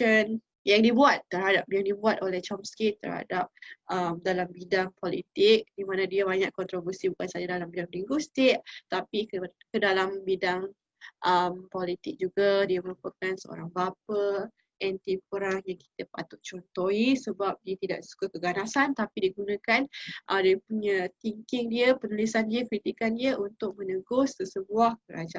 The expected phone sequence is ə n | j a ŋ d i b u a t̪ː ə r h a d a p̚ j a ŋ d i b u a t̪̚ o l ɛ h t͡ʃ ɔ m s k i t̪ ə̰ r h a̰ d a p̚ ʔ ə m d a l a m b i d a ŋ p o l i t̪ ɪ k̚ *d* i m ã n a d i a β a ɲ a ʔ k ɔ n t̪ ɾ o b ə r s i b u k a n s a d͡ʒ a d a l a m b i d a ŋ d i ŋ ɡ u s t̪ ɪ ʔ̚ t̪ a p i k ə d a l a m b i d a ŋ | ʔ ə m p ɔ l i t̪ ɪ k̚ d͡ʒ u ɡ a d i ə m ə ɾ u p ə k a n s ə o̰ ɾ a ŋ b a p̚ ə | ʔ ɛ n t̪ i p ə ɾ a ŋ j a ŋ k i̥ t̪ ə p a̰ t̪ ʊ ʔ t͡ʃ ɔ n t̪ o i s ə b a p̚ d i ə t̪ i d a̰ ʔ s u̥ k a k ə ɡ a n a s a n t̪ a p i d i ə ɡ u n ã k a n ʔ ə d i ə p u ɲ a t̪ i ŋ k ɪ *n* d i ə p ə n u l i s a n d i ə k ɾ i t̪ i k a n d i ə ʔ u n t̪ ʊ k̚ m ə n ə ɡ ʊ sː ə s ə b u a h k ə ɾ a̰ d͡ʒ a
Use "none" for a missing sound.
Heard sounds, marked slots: d, ŋ

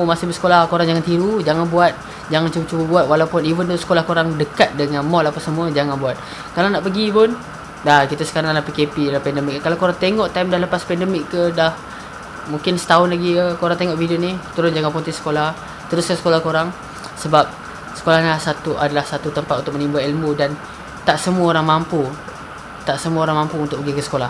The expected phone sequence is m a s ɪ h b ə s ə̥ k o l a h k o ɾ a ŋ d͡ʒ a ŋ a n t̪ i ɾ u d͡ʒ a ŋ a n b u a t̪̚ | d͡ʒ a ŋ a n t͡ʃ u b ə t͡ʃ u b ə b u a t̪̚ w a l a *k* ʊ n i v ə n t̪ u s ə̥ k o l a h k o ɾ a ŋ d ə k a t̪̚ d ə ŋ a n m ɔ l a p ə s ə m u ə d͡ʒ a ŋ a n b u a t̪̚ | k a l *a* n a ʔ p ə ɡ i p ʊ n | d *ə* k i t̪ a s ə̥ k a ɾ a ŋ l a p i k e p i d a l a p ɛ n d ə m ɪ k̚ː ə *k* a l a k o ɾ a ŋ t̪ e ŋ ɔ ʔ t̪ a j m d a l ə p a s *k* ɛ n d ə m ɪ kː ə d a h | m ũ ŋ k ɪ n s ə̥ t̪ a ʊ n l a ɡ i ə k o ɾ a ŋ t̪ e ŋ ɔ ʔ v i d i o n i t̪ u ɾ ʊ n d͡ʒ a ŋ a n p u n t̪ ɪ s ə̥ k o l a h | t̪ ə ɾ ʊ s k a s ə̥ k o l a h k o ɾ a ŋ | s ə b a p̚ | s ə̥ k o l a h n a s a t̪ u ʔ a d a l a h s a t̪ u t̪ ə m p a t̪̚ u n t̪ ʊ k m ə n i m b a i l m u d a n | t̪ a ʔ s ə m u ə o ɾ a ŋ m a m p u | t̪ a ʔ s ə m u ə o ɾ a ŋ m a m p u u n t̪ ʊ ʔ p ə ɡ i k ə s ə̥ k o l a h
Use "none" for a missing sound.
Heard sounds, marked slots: p, a, a, k, p

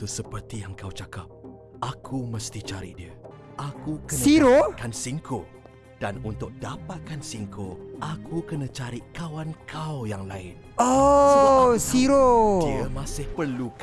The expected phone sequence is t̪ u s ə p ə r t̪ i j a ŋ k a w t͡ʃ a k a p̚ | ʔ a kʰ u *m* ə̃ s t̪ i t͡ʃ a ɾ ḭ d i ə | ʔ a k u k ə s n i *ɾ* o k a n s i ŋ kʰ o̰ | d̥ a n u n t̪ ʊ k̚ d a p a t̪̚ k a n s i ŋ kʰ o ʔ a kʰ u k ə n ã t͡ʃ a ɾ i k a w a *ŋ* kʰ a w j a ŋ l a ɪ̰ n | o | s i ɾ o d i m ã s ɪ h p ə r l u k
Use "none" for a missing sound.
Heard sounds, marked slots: m, ɾ, n

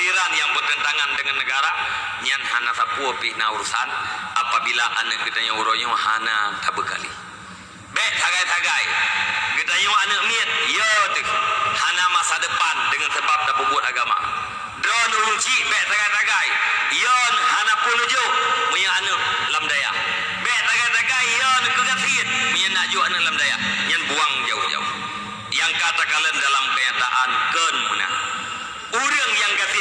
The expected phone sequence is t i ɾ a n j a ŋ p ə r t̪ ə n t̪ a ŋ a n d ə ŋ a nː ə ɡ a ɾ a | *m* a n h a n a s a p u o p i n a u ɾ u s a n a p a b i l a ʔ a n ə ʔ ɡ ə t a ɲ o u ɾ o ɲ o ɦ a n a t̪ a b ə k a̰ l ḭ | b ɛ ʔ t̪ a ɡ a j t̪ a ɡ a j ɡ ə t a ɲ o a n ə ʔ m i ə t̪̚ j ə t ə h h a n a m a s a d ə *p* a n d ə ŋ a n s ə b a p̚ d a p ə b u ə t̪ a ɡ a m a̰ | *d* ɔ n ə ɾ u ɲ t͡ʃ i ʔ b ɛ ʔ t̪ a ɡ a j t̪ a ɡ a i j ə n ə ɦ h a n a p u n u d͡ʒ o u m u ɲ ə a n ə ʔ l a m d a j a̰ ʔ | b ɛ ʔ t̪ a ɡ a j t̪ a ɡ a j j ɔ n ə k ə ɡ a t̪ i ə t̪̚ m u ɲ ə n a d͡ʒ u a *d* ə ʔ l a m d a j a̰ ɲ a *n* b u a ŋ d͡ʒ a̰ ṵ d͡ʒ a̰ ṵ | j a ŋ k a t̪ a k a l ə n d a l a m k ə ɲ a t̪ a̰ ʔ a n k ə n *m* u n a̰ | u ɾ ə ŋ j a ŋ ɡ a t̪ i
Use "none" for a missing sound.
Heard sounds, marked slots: ɲ, p, d, n, n, m

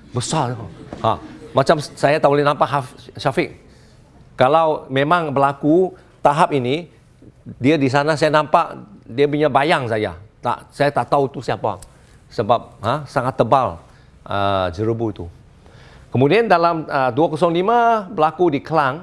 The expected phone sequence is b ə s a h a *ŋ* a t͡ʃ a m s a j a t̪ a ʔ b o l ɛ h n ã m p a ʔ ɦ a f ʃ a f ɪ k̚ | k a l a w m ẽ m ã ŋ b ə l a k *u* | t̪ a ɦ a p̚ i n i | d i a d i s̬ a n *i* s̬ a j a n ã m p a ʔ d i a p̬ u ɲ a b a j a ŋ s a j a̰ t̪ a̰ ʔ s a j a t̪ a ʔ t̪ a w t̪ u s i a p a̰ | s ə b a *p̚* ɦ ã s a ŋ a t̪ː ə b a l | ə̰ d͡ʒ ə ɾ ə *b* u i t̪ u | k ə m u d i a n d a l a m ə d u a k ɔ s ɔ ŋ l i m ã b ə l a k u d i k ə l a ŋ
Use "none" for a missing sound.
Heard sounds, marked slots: m, u, a, p̚, b

